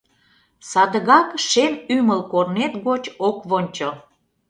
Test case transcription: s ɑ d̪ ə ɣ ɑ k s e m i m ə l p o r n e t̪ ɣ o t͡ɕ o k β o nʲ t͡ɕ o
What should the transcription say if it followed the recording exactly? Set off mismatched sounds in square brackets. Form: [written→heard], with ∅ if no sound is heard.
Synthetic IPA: s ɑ d̪ ə ɣ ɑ k [s→ʃ] e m [i→y] m ə l [p→k] o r n e t̪ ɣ o t͡ɕ o k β o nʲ t͡ɕ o